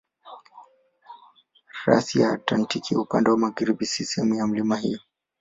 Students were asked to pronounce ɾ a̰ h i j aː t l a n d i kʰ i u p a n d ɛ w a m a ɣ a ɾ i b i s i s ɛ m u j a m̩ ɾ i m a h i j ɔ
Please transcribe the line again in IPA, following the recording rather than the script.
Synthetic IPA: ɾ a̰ s i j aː t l a n t i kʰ i u p a n d ɛ w a m a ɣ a ɾ i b i s i s ɛ m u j a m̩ l i m a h i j ɔ